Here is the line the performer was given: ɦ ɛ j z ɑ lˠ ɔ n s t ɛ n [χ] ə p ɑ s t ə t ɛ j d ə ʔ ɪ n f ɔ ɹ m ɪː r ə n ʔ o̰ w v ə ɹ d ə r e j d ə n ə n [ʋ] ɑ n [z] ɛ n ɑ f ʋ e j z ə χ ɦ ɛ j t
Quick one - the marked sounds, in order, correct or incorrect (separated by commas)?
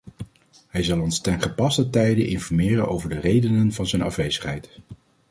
correct, incorrect, correct